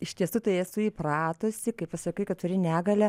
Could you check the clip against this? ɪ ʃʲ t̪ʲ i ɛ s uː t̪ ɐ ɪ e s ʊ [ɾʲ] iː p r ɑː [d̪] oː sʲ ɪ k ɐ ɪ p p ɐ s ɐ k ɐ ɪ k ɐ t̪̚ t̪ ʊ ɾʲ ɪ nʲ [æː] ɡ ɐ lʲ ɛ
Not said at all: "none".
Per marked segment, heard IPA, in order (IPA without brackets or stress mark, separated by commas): none, t̪, æː